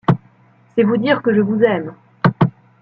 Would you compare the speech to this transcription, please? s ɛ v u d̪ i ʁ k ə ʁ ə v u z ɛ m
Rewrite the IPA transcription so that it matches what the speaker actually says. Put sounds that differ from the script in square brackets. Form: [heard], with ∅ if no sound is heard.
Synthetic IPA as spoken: s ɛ v u d̪ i ʁ k ə [ʒ] ə v u z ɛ m

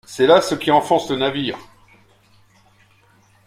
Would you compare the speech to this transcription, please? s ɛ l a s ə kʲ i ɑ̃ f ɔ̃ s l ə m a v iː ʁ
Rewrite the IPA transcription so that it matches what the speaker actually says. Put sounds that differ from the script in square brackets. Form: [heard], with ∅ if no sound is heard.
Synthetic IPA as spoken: s ɛ l a s ə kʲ i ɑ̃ f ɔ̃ s l ə [n] a v iː ʁ

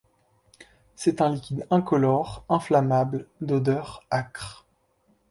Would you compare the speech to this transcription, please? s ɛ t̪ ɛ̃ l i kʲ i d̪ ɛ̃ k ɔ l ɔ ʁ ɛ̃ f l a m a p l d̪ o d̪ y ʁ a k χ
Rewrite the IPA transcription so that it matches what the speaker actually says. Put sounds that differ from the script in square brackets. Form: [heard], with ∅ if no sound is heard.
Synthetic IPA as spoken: s ɛ t̪ ɛ̃ l i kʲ i d̪ ɛ̃ k ɔ l ɔ ʁ ɛ̃ f l a m a [b] l d̪ o d̪ [œ] ʁ a k χ

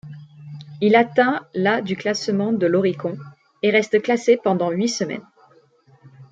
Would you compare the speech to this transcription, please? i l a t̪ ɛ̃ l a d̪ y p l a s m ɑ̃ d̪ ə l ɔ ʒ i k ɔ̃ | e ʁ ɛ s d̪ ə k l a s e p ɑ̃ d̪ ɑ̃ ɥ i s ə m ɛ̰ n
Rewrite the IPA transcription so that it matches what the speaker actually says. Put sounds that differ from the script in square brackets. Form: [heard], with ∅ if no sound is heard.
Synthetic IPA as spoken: i l a t̪ ɛ̃ l a d̪ y [k] l a s m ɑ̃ d̪ ə l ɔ [ʁ] i k ɔ̃ | e ʁ ɛ s [t̪] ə k l a s e p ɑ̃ d̪ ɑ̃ ɥ i s ə m ɛ̰ n

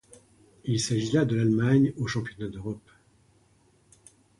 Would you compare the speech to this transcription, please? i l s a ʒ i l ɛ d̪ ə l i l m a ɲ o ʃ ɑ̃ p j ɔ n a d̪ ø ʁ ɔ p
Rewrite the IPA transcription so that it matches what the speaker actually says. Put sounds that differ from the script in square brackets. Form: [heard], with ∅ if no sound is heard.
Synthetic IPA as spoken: i l s a ʒ i l [a] d̪ ə l [a] l m a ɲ o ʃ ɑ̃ p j ɔ n a d̪ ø ʁ ɔ p

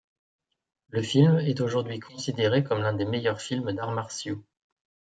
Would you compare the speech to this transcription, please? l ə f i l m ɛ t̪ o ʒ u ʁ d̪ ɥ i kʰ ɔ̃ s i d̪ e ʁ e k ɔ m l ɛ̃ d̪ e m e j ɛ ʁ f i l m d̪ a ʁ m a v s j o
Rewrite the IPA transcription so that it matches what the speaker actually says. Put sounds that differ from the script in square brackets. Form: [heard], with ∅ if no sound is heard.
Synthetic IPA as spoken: l ə f i l m ɛ t̪ o ʒ u ʁ d̪ ɥ i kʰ ɔ̃ s i d̪ e ʁ e k ɔ m l ɛ̃ d̪ e m e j [œ] ʁ f i l m d̪ a ʁ m a [ʁ] s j o

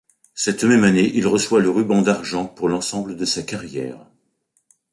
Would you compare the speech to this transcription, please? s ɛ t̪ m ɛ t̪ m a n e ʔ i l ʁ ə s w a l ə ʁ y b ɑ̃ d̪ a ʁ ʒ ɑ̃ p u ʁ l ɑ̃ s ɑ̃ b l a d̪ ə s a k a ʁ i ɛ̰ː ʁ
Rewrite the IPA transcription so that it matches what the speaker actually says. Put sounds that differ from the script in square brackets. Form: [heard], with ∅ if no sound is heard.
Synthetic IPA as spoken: s ɛ t̪ m ɛ [∅] m a n e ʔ i l ʁ ə s w a l ə ʁ y b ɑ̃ d̪ a ʁ ʒ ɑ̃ p u ʁ l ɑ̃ s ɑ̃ b l [ə] d̪ ə s a k a ʁ [j] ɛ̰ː ʁ

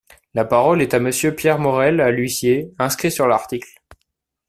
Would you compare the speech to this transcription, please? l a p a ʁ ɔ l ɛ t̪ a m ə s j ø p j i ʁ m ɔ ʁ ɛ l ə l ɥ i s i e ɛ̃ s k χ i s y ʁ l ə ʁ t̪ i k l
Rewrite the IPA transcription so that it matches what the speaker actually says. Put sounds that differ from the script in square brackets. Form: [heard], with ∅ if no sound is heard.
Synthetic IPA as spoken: l a p a ʁ ɔ l ɛ t̪ a m ə s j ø p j [ɛ] ʁ m ɔ ʁ ɛ l [a] l ɥ i s [j] e ɛ̃ s k χ i s y ʁ l [a] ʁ t̪ i k l

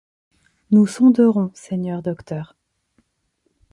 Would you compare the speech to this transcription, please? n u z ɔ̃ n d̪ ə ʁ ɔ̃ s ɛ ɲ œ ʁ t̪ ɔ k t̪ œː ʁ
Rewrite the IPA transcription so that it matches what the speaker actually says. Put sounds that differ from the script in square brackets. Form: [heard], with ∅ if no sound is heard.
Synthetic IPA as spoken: n u [s] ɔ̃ [∅] d̪ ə ʁ ɔ̃ s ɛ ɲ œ ʁ [d̪] ɔ k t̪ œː ʁ

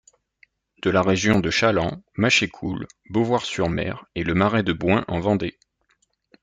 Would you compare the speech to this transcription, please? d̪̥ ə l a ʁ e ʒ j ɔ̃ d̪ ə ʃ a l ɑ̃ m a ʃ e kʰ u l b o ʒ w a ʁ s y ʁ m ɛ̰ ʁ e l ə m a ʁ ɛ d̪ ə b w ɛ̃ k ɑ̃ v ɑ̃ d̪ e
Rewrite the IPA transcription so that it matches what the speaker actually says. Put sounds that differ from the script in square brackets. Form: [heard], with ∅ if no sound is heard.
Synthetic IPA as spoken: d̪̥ ə l a ʁ e ʒ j ɔ̃ d̪ ə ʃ a l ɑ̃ m a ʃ e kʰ u l b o [v] w a ʁ s y ʁ m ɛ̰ ʁ e l ə m a ʁ ɛ d̪ ə b w ɛ̃ [ʔ] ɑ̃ v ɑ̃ d̪ e

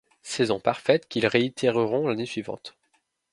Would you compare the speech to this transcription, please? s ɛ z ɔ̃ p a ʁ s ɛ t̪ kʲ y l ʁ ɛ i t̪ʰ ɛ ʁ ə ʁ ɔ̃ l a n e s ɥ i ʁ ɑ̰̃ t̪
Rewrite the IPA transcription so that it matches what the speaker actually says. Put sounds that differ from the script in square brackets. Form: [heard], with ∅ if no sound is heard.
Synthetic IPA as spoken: s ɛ z ɔ̃ p a ʁ [f] ɛ t̪ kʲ [i] l ʁ [e] i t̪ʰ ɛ ʁ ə ʁ ɔ̃ l a n e s ɥ i [v] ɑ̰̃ t̪

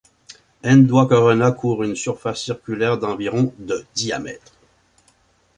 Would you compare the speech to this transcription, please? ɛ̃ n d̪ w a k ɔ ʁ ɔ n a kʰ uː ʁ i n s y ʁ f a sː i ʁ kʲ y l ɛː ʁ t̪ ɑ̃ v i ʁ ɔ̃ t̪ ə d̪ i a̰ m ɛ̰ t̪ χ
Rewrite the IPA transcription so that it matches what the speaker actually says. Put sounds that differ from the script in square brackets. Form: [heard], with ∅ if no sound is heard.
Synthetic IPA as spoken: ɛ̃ n d̪ w a k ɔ ʁ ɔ n a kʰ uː ʁ [y] n s y ʁ f a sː i ʁ kʲ y l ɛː ʁ [d̪] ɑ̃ v i ʁ ɔ̃ [d̪] ə d̪ i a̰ m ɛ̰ t̪ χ

